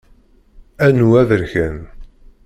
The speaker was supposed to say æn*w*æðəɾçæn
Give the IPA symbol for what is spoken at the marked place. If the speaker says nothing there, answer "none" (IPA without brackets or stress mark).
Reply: u